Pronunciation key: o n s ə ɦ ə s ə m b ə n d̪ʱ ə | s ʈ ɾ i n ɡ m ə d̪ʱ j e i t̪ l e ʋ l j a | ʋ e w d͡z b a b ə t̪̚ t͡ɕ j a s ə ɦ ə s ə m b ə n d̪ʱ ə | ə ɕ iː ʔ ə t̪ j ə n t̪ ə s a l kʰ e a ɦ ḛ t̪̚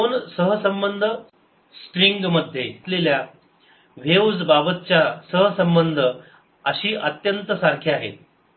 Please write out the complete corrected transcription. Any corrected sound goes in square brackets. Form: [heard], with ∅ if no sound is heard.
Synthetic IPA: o n s ə ɦ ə s ə m b ə n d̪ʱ ə | s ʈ ɾ i [ŋ] ɡ m ə d̪ʱ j e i t̪ l e [∅] l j a | ʋ e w d͡z b a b ə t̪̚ t͡ɕ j a s ə ɦ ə s ə m b ə n d̪ʱ ə | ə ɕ iː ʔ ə t̪ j ə n t̪ ə s a [ɾ] kʰ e a ɦ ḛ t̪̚